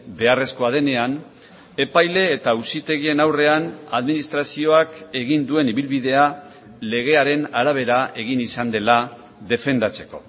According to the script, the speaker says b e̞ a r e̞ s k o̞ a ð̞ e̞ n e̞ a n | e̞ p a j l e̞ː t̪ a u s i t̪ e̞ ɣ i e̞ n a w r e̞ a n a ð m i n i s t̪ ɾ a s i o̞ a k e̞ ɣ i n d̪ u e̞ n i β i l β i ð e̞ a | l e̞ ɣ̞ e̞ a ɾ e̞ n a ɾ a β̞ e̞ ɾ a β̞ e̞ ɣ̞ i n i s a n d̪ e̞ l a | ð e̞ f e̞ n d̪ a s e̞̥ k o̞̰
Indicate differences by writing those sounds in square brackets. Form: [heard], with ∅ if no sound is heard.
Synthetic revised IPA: b e̞ a r e̞ s k o̞ a ð̞ e̞ n e̞ a n | e̞ p a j l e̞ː t̪ a u s i t̪ e̞ ɣ i e̞ n a w r e̞ a n a ð m i n i s t̪ ɾ a s i o̞ a k e̞ ɣ i n d̪ u e̞ n i β i l β i ð e̞ a | l e̞ ɣ̞ e̞ a ɾ e̞ n a ɾ a β̞ e̞ ɾ a [∅] e̞ ɣ̞ i n i s a n d̪ e̞ l a | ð e̞ f e̞ n d̪ a [t͡s] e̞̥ k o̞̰